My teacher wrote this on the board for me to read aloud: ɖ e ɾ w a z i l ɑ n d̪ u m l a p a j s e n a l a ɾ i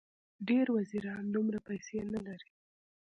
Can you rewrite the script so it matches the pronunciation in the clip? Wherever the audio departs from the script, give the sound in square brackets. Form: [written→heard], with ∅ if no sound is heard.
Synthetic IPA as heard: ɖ e ɾ w a z i [l→ɾ] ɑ n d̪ u m [l→ɾ] a p a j s e n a l a ɾ i